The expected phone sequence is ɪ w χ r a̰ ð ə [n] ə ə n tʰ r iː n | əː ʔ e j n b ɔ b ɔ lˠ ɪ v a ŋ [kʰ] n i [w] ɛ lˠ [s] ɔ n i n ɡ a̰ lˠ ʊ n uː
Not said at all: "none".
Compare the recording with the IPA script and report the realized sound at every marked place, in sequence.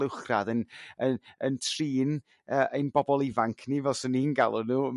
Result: n, kʰ, v, s

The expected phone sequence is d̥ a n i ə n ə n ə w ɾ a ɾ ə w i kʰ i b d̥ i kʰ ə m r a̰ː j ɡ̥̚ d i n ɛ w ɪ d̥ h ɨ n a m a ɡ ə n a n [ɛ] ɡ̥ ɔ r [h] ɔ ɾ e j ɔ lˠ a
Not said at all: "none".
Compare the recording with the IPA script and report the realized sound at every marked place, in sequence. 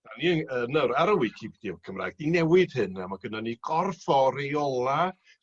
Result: i, f

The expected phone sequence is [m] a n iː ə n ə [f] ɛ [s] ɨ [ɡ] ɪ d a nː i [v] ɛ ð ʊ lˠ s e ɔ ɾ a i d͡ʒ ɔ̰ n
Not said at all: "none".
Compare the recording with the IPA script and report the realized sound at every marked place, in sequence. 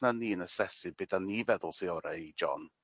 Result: n, s, s, b, v

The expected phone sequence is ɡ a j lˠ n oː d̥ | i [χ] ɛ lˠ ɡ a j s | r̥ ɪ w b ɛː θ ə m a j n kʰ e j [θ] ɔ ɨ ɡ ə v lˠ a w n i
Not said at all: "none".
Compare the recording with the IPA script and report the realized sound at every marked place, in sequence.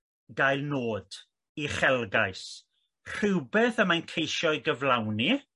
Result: χ, ʃ

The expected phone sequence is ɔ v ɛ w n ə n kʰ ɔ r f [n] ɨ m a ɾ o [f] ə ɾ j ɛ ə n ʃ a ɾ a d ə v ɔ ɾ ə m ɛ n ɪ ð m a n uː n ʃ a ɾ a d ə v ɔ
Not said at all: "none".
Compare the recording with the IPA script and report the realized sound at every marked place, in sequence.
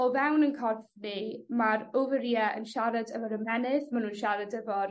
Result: n, v

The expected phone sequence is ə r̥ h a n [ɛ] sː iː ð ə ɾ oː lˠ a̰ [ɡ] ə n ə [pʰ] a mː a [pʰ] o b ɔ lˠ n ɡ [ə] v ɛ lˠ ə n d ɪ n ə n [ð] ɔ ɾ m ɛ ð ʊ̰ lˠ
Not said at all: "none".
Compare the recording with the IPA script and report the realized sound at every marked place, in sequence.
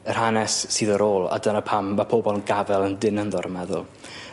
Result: ɛ, d, pʰ, pʰ, a, ð

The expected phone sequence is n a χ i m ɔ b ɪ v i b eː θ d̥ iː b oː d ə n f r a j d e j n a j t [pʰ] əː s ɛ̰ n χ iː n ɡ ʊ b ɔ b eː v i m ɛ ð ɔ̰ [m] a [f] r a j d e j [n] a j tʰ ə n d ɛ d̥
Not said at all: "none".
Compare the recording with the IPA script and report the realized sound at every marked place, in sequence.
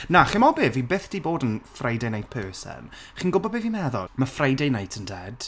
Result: pʰ, m, f, n

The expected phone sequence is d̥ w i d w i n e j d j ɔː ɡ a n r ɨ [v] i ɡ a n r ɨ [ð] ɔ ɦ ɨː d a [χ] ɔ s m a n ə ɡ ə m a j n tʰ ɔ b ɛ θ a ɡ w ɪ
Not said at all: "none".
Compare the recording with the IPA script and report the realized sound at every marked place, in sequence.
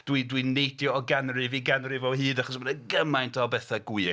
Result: v, v, χ

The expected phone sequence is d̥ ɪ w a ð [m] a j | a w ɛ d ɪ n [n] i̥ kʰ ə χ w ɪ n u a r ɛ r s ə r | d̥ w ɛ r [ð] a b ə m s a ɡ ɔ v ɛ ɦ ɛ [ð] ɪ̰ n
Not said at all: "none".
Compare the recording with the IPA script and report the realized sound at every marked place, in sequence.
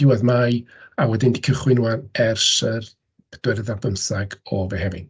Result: m, d, ð, v

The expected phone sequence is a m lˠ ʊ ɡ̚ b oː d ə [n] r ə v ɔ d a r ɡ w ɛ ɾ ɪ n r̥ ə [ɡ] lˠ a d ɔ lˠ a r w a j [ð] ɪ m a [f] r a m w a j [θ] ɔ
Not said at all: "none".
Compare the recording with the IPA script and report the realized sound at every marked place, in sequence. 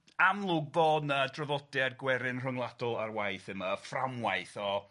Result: d, ŋ, θ, f, θ

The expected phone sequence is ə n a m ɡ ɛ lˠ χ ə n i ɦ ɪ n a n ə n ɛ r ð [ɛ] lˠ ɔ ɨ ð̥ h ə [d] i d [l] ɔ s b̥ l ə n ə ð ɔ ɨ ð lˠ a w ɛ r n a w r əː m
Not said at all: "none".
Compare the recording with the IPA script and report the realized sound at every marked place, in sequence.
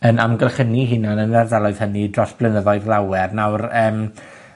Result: ɛ, n, r

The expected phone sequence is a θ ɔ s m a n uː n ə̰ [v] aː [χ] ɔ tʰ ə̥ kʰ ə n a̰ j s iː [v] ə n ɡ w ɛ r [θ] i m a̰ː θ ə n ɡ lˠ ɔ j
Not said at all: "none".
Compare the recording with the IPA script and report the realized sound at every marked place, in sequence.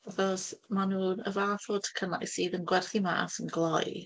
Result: v, θ, ð, θ

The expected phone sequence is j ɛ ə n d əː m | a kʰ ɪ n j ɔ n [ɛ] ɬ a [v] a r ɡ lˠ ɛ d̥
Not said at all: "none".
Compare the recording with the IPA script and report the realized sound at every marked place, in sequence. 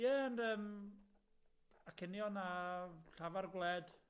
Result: a, v

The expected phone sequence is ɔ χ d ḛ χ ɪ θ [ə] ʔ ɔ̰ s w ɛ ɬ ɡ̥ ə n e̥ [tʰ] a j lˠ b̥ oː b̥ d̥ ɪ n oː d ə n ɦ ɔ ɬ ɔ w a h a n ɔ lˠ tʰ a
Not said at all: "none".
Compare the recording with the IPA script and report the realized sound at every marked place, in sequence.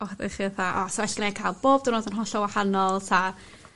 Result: a, kʰ

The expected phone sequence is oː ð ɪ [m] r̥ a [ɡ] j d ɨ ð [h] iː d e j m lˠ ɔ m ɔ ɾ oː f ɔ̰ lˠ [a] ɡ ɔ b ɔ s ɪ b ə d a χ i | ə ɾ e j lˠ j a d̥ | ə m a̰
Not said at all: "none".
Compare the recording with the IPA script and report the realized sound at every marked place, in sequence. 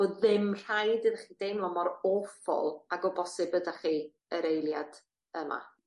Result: m, none, χ, a

